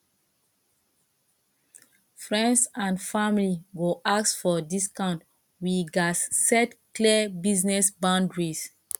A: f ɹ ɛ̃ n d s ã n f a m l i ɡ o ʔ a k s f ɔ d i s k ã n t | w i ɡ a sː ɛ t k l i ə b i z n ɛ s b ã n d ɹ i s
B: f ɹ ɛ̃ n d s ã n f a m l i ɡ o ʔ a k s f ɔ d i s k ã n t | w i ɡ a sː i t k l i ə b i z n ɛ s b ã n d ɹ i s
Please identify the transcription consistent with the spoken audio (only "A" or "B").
A